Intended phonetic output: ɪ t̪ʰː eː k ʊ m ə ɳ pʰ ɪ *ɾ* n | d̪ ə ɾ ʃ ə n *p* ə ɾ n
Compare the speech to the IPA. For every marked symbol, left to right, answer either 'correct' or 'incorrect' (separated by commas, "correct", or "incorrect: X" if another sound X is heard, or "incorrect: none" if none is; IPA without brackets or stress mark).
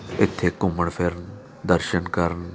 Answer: correct, incorrect: k